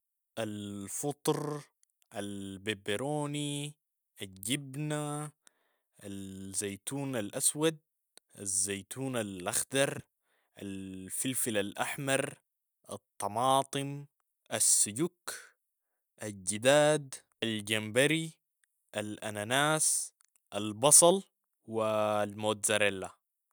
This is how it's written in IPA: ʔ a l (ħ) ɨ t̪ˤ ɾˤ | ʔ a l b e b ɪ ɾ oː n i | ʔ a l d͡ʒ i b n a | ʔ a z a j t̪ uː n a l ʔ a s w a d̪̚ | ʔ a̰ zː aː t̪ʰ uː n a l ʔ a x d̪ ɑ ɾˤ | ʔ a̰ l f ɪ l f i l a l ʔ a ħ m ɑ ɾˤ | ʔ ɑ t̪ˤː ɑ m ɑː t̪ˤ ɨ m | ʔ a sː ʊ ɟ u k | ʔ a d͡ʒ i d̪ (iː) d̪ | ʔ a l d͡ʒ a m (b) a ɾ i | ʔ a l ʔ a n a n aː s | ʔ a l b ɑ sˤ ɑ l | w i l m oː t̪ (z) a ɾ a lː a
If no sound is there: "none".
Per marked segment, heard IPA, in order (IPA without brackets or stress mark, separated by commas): f, aː, b, z